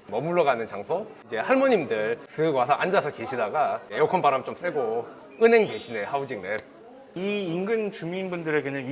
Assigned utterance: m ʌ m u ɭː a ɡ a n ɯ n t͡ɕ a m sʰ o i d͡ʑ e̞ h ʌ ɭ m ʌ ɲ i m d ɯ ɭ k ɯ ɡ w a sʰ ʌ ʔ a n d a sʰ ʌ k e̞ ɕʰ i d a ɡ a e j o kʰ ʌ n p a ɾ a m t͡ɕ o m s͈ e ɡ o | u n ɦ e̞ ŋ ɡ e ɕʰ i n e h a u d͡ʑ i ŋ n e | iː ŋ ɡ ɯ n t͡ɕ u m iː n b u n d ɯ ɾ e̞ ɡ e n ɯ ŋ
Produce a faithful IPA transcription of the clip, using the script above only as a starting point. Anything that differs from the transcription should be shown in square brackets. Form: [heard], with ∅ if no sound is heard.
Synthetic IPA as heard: m ʌ m u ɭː [ʌ] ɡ a n ɯ n t͡ɕ a [ŋ] sʰ o i d͡ʑ e̞ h [a] ɭ m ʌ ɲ i m d ɯ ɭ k ɯ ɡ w a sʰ ʌ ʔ a n [d͡ʑ] a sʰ ʌ k e̞ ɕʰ i d a ɡ a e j o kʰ ʌ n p a ɾ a m t͡ɕ o m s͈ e ɡ o | [ɯ] n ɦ e̞ ŋ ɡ e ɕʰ i n e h a u d͡ʑ i ŋ n e | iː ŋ ɡ ɯ n t͡ɕ u m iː n b u n d ɯ ɾ e̞ ɡ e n ɯ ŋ